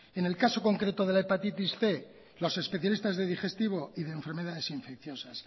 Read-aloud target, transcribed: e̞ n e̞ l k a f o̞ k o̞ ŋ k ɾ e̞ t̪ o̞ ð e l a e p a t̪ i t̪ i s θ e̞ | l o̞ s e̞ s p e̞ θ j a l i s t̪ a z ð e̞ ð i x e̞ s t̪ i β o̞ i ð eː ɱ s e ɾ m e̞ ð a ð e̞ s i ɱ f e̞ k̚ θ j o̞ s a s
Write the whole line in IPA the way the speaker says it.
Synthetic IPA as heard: e̞ n e̞ l k a s o̞ k o̞ ŋ k ɾ e̞ t̪ o̞ ð e l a e p a t̪ i t̪ i s θ e̞ | l o̞ s e̞ s p e̞ θ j a l i s t̪ a z ð e̞ ð i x e̞ s t̪ i β o̞ i ð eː ɱ f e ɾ m e̞ ð a ð e̞ s i ɱ f e̞ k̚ θ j o̞ s a s